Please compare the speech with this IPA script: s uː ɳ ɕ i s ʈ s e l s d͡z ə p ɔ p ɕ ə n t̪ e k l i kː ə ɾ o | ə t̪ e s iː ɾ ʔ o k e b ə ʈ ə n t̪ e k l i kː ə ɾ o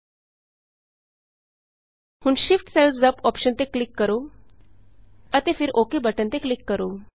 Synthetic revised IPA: h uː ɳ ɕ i f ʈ s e l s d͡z ə p ɔ p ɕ ə n t̪ e k l i kː ə ɾ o | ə t̪ e f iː ɾ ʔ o k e b ə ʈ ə n t̪ e k l i kː ə ɾ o